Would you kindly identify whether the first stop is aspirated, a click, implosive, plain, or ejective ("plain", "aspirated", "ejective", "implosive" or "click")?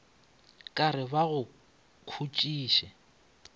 ejective